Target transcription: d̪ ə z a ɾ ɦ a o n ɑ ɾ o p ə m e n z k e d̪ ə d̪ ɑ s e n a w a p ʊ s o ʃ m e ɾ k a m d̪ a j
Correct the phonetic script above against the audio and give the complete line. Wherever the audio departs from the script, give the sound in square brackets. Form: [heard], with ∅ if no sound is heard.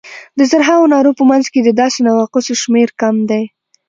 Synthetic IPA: d̪ ə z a ɾ ɦ a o n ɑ ɾ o p ə m [a] n z k e d̪ ə d̪ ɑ s e n a w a [q] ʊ s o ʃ m e ɾ k a m d̪ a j

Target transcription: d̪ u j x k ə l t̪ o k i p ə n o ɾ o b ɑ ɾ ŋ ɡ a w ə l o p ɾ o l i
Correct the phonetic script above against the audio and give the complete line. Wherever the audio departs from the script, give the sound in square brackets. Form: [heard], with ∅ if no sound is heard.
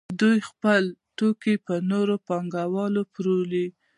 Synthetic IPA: d̪ u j x [p] ə l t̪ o k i p ə n o ɾ o [p] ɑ [∅] ŋ ɡ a w [ɑ] l o p ɾ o l i

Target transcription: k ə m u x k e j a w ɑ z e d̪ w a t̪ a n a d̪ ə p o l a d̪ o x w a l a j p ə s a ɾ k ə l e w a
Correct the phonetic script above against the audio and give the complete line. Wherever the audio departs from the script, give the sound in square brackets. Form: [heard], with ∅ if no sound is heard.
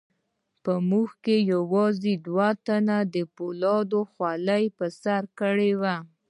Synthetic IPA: [p] ə m u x k e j a w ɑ z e d̪ w a t̪ a n a d̪ ə p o l [ɑ] d̪ o x w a l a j p ə s a ɾ k ə [ɽ] e w a

